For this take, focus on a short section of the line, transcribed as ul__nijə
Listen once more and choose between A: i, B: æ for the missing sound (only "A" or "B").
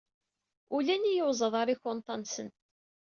B